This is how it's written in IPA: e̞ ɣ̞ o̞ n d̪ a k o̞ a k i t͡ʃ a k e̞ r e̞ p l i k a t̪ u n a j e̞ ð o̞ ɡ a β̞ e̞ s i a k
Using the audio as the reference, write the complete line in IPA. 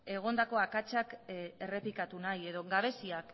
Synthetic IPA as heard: e̞ ɣ̞ o̞ n d̪ a k o̞ a k a t͡ʃ a k e̞ r e̞ p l i k a t̪ u n a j e̞ ð o̞ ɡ a β̞ e̞ s i a k

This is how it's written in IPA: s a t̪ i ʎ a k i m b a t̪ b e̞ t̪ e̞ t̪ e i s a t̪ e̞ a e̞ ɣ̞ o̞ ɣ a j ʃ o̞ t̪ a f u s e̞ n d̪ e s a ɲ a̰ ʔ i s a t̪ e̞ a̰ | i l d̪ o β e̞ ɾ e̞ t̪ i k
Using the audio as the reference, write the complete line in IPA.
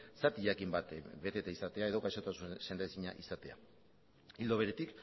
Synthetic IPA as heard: s a t̪ i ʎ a k i m b a t̪ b e̞ t̪ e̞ t̪ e i s a t̪ e̞ a e̞ ð̞ o̞ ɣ a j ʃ o̞ t̪ a s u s e̞ n d̪ e s i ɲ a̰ ʔ i s a t̪ e̞ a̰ | i l d̪ o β e̞ ɾ e̞ t̪ i k

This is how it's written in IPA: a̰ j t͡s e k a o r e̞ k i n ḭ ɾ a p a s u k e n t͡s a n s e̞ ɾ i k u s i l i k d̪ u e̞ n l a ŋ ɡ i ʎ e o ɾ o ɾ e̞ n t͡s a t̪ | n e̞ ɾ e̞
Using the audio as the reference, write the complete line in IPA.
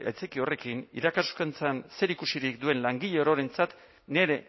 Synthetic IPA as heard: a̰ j t͡s e k i o r e̞ k i n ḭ ɾ a k a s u k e n t͡s a n s e̞ ɾ i k u s i ɾ i k d̪ u e̞ n l a ŋ ɡ i ʎ e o ɾ o ɾ e̞ n t͡s a t̪ | n e̞ ɾ e̞

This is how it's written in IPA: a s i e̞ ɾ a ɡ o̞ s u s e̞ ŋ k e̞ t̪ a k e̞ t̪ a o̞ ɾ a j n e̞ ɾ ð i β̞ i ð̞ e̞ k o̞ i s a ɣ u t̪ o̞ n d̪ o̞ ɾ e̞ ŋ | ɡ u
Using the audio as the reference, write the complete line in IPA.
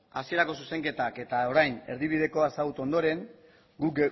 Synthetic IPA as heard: a s i e̞ ɾ a k o̞ s u s e̞ ŋ k e̞ t̪ a k e̞ t̪ a o̞ ɾ a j n e̞ ɾ ð i β̞ i ð̞ e̞ k o̞ a s a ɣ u t̪ o̞ n d̪ o̞ ɾ e̞ ŋ | ɡ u

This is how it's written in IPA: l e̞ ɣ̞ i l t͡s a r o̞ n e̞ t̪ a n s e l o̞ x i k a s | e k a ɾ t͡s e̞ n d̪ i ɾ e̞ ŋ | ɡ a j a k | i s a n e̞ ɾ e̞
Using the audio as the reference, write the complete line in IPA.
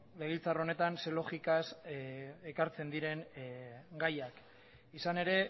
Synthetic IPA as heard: l e̞ ɣ̞ i l t͡s a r o̞ n e̞ t̪ a n s e l o̞ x i k a s | e k a ɾ t͡s e̞ n d̪ i ɾ e̞ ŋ | ɡ a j a k | i s a n e̞ ɾ e̞

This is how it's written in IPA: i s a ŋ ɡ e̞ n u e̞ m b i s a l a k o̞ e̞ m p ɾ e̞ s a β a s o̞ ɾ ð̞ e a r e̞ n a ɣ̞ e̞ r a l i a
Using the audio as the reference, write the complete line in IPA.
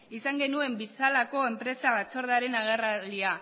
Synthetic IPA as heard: i s a ŋ ɡ e̞ n u e̞ m b i s a l a k o̞ e̞ m p ɾ e̞ s a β a t͡s o̞ ɾ ð̞ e a ɾ e̞ n a ɣ̞ e̞ r a l i a

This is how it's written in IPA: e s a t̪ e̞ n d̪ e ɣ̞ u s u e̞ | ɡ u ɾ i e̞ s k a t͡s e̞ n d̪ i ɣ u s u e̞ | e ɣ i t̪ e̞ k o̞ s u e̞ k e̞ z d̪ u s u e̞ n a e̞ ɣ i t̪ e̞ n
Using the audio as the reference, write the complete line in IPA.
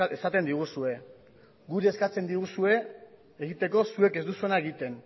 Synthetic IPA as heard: e s a t̪ e̞ n d̪ i ɣ̞ u s u e̞ | ɡ u ɾ i e̞ s k a t͡s e̞ n d̪ i ɣ u s u e̞ | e ɣ i t̪ e̞ k o̞ s u e̞ k e̞ z d̪ u s u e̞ n a e̞ ɣ i t̪ e̞ n

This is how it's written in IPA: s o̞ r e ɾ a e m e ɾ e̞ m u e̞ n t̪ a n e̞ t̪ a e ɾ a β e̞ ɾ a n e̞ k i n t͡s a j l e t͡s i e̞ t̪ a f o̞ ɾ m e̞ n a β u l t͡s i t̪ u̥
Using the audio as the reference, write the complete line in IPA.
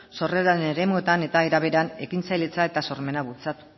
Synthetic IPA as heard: s o̞ r e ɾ a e n e ɾ e̞ m u e̞ t̪ a n e̞ t̪ a e ɾ a β e̞ ɾ a n e̞ k i n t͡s a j l e t͡s a e̞ t̪ a s o̞ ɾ m e̞ n a β u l t͡s a t̪ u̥

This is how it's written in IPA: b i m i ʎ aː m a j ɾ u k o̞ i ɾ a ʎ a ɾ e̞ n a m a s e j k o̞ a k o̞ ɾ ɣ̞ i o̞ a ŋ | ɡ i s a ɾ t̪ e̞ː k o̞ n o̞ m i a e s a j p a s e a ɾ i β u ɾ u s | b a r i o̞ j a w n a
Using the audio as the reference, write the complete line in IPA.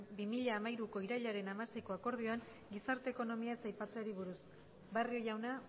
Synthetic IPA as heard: b i m i ʎ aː m a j ɾ u k o̞ i ɾ a ʎ a ɾ e̞ n a m a s e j k o̞ a k o̞ ɾ ð̞ i o̞ a ŋ | ɡ i s a ɾ t̪ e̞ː k o̞ n o̞ m i a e s a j p a t͡s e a ɾ i β u ɾ u s | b a r i o̞ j a w n a

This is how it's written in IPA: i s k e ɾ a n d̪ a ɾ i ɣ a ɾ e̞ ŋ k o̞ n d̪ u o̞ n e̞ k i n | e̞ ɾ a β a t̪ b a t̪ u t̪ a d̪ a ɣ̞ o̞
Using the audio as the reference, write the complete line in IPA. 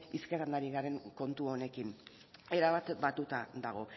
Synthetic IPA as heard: i s k e ɾ a n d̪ a ɾ i ɣ a ɾ e̞ ŋ k o̞ n t̪ u o̞ n e̞ k i n | e̞ ɾ a β a t̪ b a t̪ u t̪ a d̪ a ɣ̞ o̞

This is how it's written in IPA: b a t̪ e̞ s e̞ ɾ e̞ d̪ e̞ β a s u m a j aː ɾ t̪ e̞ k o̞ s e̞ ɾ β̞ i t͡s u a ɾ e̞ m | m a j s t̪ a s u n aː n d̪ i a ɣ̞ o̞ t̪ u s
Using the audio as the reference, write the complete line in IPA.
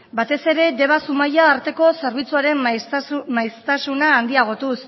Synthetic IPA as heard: b a t̪ e̞ s e̞ ɾ e̞ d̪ e̞ β a s u m a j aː ɾ t̪ e̞ k o̞ s e̞ ɾ β̞ i t͡s u a ɾ e̞ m | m a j s t̪ a s u n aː n d̪ i a ɣ̞ o̞ t̪ u s

